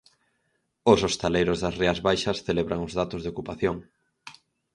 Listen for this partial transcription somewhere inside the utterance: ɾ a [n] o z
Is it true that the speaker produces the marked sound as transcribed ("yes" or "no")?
no